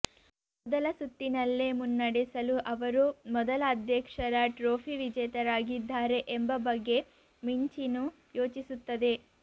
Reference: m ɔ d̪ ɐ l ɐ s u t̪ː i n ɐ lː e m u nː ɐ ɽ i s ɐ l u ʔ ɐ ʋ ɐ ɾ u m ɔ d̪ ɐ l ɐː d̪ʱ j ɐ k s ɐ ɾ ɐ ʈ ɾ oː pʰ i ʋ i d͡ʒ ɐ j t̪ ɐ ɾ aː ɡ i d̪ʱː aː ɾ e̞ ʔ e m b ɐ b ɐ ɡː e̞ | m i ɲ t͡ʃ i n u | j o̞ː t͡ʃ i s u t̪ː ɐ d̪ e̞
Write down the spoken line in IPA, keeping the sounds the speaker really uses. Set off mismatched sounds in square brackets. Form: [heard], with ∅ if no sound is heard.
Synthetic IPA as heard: m ɔ d̪ ɐ l ɐ s u t̪ː i n ɐ lː e m u nː ɐ ɽ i s ɐ l u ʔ ɐ ʋ ɐ ɾ u m ɔ d̪ ɐ l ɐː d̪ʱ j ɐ k [ʂ] ɐ ɾ ɐ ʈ ɾ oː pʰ i ʋ i d͡ʒ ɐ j t̪ ɐ ɾ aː ɡ i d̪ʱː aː ɾ e̞ ʔ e m b ɐ b ɐ ɡː e̞ | m i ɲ t͡ʃ i n u | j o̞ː t͡ʃ i s u t̪ː ɐ d̪ e̞